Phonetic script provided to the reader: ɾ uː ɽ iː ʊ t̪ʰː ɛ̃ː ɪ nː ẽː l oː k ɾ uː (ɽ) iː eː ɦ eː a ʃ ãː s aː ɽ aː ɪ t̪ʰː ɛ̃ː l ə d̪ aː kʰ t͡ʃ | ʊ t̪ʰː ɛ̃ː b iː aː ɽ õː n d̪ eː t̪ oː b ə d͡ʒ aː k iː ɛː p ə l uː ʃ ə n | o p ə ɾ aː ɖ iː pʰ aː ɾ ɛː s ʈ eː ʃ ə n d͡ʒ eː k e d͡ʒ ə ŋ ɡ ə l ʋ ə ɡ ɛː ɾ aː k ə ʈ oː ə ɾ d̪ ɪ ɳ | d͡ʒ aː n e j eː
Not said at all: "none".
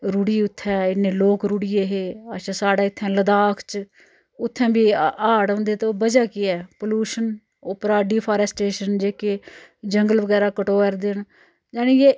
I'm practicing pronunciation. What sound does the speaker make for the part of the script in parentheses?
ɽ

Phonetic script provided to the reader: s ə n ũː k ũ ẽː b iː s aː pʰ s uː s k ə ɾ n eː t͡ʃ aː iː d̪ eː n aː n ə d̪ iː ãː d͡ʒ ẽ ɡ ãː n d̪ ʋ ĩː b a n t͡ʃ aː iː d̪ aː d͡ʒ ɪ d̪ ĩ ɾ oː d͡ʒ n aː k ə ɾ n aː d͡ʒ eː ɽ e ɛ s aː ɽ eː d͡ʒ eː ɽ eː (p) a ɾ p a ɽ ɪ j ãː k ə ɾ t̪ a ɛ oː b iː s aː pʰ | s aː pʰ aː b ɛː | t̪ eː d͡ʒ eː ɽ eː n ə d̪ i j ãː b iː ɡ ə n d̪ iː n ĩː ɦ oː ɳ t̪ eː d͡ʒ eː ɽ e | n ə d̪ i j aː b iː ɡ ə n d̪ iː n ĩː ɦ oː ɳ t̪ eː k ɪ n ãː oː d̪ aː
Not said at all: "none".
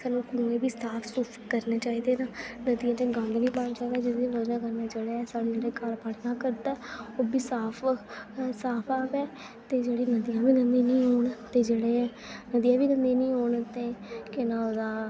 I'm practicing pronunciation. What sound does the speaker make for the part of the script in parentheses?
k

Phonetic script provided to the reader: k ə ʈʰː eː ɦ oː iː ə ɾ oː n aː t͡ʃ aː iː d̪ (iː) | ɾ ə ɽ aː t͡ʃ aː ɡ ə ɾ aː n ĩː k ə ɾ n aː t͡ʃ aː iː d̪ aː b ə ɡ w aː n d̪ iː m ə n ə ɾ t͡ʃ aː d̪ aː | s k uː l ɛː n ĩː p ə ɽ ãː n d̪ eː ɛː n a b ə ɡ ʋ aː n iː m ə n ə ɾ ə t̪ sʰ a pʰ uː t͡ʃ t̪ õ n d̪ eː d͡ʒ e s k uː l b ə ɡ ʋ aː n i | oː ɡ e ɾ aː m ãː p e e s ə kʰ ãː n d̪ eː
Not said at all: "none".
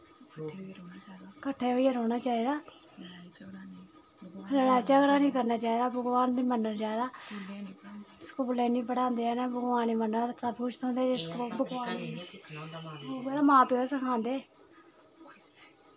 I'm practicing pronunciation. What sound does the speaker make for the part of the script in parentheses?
aː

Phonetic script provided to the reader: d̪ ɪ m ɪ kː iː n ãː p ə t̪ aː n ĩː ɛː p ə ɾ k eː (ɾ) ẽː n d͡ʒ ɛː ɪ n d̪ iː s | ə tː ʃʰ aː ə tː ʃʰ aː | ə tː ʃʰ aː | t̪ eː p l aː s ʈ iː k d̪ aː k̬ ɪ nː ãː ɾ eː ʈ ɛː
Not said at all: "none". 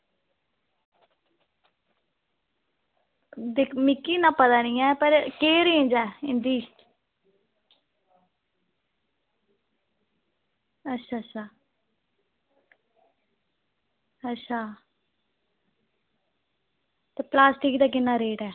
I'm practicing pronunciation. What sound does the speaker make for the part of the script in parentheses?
ɾ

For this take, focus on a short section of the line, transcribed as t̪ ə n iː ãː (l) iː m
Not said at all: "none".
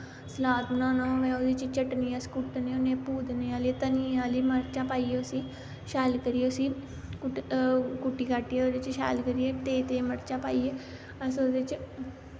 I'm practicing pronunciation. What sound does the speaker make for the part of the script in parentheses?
l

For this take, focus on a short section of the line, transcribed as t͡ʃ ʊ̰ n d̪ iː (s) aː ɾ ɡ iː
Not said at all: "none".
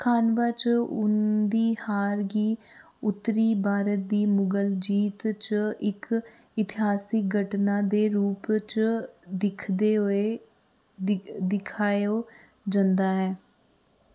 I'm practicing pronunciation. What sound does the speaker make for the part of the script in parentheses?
h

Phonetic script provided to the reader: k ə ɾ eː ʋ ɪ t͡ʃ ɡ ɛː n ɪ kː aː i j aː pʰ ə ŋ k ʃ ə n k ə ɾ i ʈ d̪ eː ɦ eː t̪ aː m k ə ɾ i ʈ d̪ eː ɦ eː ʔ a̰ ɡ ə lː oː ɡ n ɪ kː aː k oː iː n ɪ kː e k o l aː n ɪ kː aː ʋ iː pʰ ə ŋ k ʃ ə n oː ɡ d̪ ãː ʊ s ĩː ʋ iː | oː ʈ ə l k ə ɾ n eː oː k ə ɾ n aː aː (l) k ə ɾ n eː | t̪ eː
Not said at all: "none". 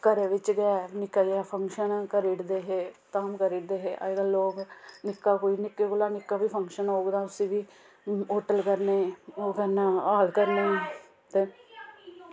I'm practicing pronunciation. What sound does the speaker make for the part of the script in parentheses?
l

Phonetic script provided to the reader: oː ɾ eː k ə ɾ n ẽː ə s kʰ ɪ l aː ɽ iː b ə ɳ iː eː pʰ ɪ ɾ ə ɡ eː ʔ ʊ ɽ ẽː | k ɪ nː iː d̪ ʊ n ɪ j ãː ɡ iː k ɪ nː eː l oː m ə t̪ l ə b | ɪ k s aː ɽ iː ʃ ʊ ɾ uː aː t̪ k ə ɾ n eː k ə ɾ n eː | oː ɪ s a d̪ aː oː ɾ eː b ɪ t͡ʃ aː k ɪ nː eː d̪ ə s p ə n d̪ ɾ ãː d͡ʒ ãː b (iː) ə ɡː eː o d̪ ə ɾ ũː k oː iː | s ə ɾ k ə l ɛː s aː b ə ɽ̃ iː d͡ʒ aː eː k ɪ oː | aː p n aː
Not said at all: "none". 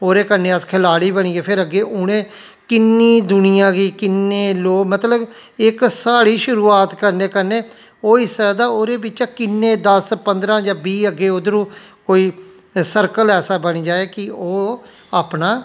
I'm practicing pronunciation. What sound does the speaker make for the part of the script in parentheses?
iː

